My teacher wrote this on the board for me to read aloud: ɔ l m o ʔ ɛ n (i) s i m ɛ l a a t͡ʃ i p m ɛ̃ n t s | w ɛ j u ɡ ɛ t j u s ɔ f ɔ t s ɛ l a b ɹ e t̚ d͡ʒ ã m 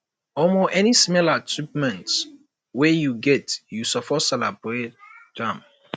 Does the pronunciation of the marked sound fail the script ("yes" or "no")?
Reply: no